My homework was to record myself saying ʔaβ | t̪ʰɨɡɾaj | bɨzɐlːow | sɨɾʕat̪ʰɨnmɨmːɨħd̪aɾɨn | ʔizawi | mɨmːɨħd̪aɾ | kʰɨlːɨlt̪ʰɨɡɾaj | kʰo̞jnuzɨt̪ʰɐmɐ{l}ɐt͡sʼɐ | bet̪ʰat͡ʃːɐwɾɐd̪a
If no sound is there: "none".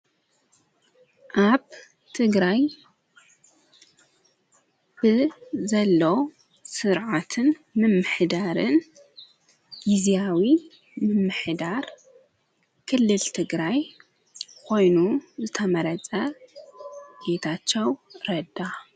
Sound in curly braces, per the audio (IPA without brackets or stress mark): ɾ